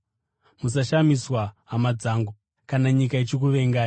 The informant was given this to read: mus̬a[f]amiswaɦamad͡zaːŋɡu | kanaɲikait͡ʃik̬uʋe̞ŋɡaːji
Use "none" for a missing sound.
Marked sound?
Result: ʃ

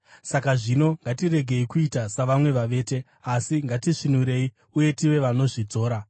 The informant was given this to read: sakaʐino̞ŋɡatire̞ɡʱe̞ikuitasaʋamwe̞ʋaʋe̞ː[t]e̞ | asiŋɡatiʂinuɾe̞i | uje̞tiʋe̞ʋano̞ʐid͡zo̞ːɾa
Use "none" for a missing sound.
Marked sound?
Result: t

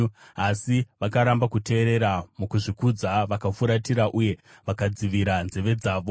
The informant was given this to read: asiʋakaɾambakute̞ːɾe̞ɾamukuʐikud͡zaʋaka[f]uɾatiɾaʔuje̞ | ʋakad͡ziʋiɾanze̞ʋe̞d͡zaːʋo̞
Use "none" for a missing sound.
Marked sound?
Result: f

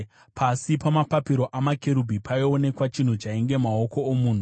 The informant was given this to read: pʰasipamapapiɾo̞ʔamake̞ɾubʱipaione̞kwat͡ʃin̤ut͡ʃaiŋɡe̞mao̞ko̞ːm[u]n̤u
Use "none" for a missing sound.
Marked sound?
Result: uː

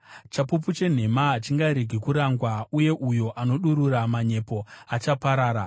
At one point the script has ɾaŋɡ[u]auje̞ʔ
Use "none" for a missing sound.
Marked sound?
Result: w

